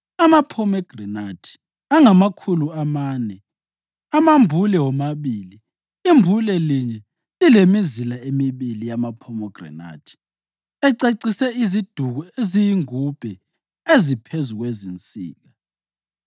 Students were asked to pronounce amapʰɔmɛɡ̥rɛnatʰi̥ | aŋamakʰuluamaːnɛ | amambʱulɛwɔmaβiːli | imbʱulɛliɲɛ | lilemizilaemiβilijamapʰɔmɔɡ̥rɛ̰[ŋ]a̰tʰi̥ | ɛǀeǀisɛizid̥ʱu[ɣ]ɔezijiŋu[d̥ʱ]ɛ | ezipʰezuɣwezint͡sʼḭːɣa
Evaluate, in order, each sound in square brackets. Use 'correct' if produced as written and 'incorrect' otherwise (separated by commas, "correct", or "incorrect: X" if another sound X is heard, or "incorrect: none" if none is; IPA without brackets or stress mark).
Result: incorrect: n, correct, incorrect: b̥ʱ